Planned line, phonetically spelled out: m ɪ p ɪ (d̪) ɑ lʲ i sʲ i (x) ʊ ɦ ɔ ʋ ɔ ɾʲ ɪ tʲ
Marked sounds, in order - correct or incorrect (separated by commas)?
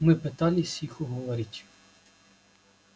incorrect, correct